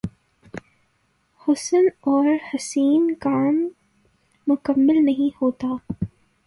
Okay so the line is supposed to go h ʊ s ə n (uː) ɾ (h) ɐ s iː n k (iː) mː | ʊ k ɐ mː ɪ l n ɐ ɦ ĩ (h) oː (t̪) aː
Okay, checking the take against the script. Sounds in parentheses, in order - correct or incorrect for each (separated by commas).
incorrect, correct, incorrect, correct, correct